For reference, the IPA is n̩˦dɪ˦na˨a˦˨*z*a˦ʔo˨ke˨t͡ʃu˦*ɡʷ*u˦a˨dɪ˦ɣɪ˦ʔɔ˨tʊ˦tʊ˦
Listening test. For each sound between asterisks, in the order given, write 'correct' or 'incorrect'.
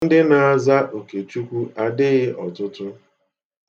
correct, incorrect

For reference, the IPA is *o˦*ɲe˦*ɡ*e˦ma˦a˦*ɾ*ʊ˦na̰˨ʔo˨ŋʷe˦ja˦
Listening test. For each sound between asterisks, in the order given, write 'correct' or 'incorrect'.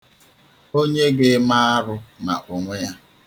correct, correct, correct

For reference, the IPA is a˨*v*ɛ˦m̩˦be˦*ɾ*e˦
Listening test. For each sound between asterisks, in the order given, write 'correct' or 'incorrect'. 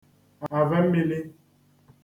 correct, incorrect

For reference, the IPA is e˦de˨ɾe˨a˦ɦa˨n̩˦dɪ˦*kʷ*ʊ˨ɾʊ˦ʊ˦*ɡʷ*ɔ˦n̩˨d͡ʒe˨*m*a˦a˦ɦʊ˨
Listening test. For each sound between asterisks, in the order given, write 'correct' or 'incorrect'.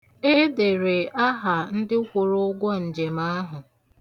correct, correct, correct

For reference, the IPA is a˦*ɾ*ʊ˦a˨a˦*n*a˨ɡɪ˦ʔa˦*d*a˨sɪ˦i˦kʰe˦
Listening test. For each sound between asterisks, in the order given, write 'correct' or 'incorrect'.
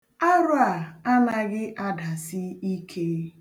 correct, correct, correct

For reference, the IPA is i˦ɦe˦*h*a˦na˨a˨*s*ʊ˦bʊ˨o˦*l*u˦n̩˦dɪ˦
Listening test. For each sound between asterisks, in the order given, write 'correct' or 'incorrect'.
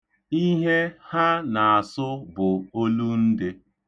correct, correct, correct

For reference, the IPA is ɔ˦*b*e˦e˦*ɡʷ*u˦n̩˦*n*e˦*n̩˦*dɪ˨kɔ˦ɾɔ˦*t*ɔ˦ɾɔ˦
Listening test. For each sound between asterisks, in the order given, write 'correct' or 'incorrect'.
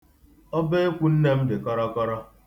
correct, incorrect, correct, incorrect, incorrect

